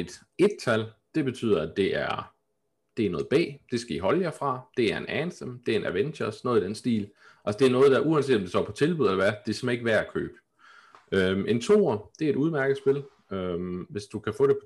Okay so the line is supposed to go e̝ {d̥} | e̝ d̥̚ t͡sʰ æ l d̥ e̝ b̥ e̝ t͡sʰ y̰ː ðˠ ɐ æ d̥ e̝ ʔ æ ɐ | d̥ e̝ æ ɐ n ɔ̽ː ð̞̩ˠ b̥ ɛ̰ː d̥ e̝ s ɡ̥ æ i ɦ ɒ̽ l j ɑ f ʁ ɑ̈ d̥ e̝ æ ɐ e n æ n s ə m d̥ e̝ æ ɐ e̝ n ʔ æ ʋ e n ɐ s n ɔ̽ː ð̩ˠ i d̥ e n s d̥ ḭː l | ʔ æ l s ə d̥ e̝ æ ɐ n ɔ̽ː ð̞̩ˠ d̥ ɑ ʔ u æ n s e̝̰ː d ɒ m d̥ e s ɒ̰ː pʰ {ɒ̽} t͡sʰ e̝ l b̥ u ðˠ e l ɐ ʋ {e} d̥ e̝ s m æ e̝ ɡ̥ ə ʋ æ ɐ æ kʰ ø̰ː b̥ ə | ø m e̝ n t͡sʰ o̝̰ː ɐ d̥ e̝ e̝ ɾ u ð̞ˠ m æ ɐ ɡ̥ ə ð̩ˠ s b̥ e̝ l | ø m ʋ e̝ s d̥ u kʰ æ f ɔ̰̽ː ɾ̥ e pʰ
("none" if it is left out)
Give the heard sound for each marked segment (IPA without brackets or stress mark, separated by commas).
d̥, ɒ̽, æ